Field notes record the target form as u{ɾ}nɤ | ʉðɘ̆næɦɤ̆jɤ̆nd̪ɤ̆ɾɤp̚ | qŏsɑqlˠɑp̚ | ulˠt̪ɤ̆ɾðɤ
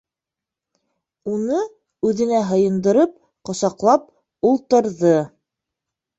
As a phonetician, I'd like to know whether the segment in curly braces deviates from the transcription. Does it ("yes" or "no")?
yes